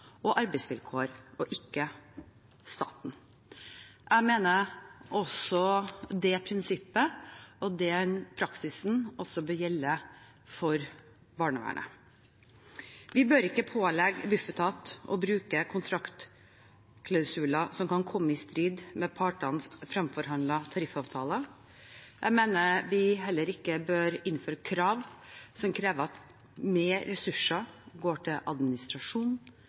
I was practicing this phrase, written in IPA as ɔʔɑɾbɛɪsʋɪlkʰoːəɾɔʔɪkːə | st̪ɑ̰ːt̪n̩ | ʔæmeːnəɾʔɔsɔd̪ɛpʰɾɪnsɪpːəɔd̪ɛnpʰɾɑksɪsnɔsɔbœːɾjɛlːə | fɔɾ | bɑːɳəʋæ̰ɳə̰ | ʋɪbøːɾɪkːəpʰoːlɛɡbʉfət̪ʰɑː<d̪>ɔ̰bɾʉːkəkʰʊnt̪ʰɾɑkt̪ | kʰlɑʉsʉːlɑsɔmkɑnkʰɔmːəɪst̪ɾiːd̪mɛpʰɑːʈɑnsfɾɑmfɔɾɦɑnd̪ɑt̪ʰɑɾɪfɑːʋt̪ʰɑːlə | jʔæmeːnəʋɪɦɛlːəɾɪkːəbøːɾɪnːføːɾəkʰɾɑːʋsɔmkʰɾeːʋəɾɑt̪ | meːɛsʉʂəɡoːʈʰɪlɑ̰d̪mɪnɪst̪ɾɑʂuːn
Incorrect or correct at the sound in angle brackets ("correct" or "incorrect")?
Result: incorrect